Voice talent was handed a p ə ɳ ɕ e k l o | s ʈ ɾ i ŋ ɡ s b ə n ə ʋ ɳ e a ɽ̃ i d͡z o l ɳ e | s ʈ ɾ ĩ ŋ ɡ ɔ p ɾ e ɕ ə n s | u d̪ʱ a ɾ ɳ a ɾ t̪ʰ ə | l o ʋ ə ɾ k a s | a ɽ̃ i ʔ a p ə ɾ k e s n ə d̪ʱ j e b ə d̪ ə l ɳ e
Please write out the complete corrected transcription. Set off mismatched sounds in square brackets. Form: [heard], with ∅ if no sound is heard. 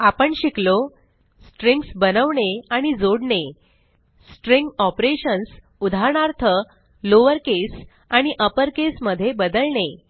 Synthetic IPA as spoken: a p ə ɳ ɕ [i] k l o | s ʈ ɾ i ŋ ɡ s b ə n ə ʋ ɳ e a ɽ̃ i d͡z o [ɽ] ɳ e | s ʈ ɾ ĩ ŋ ɡ ɔ p ɾ e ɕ ə n s | u d̪ʱ a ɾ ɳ a ɾ t̪ʰ ə | l o ʋ ə ɾ k [e] s | a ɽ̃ i ʔ [ə] p ə ɾ k e s [m] ə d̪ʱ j e b ə d̪ ə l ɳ e